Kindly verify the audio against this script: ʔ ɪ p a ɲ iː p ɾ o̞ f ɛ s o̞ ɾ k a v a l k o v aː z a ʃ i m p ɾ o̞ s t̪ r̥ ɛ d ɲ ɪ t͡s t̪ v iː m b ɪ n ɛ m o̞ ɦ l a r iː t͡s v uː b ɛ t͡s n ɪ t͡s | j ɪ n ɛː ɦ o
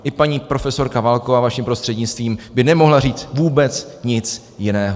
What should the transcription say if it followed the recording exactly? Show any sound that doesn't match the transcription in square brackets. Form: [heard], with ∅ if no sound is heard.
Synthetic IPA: ʔ ɪ p a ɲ iː p ɾ o̞ f ɛ s o̞ ɾ k a v a l k o v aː [v] a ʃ i m p ɾ o̞ s t̪ r̥ ɛ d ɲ ɪ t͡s t̪ v iː m b ɪ n ɛ m o̞ ɦ l a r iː t͡s v uː b ɛ t͡s [ɲ] ɪ t͡s | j ɪ n ɛː ɦ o

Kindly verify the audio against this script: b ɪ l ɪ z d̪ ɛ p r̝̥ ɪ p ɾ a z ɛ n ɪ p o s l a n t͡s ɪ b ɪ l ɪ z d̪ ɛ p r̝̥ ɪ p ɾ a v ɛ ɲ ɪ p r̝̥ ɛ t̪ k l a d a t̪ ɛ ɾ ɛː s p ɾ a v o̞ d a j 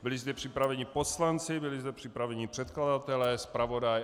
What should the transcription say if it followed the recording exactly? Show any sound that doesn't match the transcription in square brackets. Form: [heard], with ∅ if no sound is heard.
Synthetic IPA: b ɪ l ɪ z d̪ ɛ p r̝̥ ɪ p ɾ a [v] ɛ [ɲ] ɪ p o s l a n t͡s ɪ b ɪ l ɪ z d̪ ɛ p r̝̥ ɪ p ɾ a v ɛ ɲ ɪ p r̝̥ ɛ t̪ k l a d a t̪ ɛ [l] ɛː s p ɾ a v o̞ d a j

